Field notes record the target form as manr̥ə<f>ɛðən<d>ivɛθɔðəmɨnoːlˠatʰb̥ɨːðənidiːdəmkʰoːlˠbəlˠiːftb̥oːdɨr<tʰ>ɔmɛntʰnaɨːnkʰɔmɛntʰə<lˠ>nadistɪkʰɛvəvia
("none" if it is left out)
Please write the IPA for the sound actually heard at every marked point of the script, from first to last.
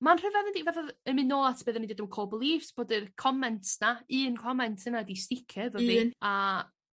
v, d, kʰ, none

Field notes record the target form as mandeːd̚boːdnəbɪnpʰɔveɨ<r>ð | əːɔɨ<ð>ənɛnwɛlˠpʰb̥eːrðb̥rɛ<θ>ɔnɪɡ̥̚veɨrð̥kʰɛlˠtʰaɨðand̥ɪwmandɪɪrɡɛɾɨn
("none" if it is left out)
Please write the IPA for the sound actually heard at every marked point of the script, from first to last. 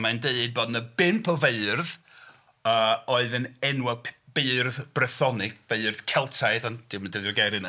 r, ð, θ

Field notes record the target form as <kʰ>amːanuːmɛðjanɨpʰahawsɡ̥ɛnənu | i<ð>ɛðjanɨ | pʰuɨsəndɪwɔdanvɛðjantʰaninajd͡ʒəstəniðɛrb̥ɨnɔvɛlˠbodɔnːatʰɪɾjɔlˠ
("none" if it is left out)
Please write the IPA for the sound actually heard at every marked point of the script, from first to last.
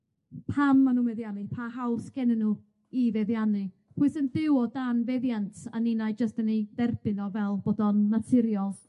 pʰ, v

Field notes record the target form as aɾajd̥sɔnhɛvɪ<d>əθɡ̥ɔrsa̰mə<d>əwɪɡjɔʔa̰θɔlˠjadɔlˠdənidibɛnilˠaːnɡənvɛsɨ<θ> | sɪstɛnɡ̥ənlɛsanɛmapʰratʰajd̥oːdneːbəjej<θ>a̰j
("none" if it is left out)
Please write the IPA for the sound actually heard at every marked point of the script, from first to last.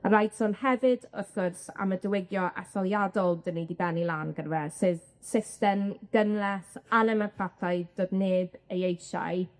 d, d, ð, ʃ

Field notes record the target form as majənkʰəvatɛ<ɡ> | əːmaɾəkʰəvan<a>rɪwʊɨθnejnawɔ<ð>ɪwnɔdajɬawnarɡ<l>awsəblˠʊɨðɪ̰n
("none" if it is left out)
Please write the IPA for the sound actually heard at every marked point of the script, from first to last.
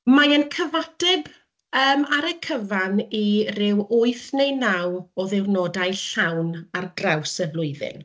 b, i, ð, r

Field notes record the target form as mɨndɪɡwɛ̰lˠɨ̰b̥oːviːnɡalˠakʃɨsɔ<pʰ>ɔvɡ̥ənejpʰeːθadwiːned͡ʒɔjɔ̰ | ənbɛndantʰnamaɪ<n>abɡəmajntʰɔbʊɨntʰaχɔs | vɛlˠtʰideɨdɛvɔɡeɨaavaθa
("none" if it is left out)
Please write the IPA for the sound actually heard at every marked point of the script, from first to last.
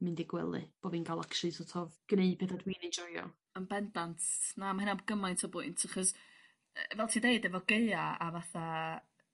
tʰ, n

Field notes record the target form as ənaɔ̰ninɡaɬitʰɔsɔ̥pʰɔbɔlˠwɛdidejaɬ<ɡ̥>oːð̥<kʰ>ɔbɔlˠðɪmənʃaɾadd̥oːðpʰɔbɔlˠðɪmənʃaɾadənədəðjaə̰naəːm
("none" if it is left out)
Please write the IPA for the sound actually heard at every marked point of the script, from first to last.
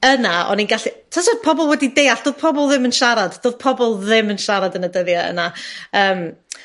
d̥, pʰ

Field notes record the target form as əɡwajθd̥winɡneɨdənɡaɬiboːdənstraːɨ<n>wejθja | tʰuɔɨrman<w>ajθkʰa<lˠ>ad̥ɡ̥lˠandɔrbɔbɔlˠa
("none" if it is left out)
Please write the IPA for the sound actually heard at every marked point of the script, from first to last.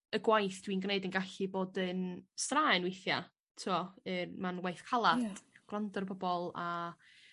n, w, lˠ

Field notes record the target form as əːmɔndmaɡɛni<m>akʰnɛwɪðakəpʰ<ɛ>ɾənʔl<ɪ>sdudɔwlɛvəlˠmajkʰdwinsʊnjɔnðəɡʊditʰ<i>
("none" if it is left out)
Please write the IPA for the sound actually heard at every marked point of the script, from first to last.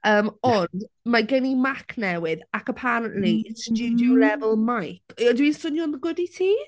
m, a, i, iː

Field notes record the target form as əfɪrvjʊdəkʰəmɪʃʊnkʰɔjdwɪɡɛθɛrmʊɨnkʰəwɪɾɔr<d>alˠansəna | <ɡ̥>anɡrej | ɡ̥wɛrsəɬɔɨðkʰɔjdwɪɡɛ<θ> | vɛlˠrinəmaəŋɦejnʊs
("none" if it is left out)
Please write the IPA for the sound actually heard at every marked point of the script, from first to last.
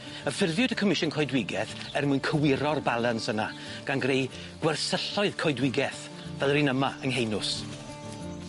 b, ɡ̥, θ

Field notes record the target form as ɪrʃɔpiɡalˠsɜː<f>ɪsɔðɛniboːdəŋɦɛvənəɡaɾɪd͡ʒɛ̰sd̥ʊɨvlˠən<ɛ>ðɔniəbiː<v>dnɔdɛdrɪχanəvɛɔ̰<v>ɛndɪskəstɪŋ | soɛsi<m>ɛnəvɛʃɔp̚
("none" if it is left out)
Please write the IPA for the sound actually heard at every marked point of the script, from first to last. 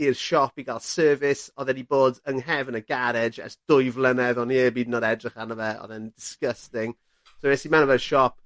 v, ɛ, none, ð, m

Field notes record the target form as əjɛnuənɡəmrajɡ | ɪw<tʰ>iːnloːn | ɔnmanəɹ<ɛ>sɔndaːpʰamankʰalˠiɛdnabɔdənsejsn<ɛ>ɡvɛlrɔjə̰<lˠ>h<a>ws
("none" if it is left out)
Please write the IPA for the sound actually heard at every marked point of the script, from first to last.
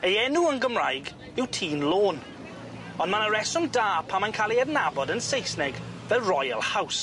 tʰ, ɛ, ɛ, lˠ, a

